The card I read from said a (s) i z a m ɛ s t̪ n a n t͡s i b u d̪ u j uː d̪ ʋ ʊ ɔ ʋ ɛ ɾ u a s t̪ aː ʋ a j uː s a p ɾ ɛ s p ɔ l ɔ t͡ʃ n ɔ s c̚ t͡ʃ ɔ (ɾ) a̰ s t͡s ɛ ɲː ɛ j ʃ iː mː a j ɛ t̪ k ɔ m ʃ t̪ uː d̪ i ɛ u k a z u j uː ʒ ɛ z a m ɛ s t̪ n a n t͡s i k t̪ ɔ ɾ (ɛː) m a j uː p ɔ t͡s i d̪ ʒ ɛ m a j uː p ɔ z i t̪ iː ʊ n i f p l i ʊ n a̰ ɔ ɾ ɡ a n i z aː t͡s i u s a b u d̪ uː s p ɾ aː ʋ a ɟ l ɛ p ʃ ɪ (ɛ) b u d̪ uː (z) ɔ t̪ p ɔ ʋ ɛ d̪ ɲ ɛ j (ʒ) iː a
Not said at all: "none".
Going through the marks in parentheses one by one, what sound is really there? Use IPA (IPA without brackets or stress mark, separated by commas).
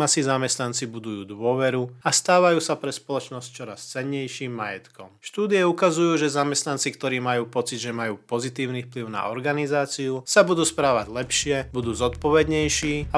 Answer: s, ɾ, iː, ɛ, z, ʃ